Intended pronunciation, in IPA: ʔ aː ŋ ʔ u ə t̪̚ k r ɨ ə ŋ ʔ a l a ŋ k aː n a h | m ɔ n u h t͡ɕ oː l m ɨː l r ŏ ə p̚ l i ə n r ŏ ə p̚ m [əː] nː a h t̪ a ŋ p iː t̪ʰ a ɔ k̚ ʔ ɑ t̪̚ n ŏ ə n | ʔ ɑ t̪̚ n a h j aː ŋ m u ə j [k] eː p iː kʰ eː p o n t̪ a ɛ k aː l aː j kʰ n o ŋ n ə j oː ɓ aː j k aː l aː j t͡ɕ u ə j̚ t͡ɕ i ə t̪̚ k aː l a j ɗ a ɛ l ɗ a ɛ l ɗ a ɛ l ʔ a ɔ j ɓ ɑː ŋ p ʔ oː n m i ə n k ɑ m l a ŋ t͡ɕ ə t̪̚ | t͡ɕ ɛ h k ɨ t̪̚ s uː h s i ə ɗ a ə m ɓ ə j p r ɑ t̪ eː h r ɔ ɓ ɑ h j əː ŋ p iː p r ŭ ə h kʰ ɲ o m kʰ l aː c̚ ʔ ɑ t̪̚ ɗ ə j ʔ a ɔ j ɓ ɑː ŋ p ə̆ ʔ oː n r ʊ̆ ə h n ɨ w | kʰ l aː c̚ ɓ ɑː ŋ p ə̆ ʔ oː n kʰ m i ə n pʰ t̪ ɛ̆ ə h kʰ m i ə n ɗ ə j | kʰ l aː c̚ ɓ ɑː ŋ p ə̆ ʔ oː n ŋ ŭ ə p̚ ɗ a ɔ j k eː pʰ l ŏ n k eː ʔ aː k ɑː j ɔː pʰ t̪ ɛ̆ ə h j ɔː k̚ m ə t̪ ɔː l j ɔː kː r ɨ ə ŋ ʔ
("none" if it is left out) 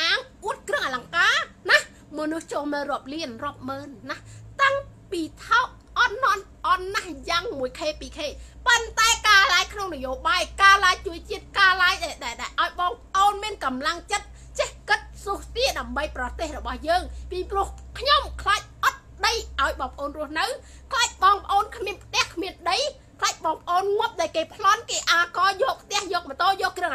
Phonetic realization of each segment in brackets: əː, kʰ

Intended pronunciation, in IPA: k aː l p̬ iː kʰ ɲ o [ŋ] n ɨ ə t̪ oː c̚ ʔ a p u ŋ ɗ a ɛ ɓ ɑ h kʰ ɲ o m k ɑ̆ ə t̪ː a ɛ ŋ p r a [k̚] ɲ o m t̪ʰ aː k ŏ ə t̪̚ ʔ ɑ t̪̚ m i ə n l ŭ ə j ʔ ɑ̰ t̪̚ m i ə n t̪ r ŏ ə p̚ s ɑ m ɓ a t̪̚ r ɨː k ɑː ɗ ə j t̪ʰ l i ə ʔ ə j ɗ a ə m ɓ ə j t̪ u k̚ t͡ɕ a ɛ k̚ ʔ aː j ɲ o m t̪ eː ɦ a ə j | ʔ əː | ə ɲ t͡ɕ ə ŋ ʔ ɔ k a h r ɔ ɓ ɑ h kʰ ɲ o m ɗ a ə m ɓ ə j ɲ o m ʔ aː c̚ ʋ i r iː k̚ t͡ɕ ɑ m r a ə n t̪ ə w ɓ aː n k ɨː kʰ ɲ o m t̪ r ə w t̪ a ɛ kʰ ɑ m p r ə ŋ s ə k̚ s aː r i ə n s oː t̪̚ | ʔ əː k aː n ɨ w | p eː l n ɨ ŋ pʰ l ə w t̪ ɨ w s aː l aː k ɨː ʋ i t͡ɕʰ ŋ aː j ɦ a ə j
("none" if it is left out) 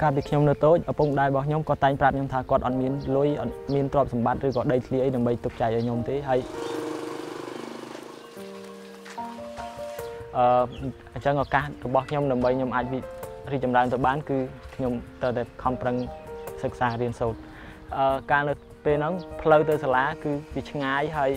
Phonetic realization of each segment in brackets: m, p̚

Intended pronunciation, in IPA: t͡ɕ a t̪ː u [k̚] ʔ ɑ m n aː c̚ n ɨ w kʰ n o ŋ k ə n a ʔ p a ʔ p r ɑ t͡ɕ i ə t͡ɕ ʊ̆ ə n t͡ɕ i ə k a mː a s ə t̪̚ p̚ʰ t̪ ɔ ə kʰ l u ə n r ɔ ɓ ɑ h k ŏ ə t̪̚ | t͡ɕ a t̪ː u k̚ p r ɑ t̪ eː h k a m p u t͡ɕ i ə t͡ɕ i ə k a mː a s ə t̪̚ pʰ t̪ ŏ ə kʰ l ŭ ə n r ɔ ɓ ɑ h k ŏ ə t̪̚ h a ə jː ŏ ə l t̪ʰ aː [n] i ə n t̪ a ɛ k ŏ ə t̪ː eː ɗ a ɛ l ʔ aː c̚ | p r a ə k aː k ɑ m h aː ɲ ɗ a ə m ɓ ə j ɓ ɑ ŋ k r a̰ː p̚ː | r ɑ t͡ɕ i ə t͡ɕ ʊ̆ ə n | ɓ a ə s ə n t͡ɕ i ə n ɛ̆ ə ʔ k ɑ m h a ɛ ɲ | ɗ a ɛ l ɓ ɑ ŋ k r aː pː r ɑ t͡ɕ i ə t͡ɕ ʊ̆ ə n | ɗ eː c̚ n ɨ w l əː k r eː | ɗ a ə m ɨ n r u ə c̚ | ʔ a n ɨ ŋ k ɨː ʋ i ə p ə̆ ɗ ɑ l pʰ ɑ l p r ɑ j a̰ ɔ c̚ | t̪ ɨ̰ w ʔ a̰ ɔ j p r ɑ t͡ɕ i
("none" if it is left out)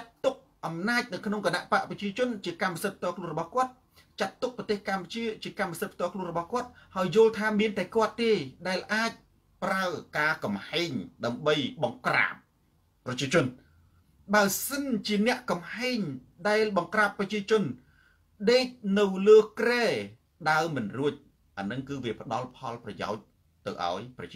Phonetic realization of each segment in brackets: k̚, m

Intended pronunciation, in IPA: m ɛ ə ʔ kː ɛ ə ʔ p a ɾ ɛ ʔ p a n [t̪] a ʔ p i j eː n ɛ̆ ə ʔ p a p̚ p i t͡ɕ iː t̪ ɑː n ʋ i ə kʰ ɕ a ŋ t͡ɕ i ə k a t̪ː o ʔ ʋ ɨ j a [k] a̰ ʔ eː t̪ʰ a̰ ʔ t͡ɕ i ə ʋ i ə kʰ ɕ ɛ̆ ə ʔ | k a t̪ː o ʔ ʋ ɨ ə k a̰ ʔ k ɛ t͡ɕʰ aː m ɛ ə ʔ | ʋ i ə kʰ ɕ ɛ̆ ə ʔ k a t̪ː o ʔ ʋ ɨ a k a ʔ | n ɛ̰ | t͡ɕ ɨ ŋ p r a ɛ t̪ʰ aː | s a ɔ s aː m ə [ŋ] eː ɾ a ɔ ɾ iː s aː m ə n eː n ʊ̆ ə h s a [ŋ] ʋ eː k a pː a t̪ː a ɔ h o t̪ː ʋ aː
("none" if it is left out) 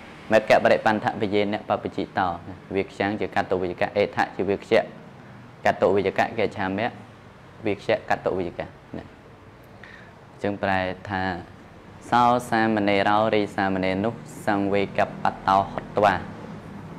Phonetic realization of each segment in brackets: t̪ʰ, k, n, ŋ

